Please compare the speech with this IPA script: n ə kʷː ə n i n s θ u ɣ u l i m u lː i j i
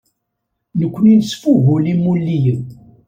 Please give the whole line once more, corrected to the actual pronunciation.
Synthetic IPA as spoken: n ə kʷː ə n i n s f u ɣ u l i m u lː i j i